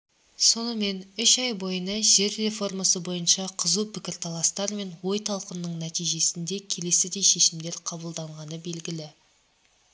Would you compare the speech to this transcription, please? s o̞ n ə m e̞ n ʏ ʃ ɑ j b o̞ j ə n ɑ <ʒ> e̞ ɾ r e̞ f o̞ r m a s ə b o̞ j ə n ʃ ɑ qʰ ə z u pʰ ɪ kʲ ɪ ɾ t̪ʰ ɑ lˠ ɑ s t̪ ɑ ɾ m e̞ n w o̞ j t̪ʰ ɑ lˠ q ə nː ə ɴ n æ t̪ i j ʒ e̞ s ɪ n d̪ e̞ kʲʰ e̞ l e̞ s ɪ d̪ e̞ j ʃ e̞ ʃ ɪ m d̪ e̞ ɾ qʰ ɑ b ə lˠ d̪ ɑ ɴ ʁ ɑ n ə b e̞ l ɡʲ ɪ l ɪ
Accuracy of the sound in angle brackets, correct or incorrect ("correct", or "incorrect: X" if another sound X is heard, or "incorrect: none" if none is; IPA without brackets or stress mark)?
correct